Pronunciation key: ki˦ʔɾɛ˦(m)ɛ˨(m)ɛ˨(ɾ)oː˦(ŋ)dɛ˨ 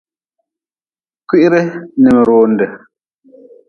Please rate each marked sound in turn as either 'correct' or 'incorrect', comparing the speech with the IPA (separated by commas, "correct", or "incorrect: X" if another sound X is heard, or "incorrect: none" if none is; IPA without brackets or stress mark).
incorrect: n, correct, correct, incorrect: n